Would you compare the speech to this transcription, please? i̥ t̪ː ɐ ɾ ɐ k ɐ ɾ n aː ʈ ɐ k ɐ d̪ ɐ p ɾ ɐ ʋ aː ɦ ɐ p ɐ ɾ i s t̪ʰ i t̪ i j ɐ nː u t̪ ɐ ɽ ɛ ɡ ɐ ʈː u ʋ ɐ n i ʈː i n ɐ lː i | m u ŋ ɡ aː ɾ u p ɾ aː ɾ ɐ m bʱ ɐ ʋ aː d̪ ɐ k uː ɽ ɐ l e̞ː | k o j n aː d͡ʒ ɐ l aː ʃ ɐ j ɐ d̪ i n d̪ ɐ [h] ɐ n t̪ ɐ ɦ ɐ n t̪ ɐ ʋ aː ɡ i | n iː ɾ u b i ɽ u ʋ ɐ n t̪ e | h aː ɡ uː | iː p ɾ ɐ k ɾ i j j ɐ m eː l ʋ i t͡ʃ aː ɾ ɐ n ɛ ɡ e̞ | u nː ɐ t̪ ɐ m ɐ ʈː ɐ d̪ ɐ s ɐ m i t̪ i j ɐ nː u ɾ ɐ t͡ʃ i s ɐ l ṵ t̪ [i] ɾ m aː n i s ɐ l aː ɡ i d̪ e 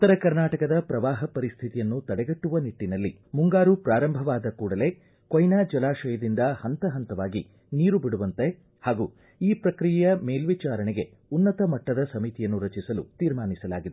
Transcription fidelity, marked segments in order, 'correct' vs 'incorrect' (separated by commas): correct, incorrect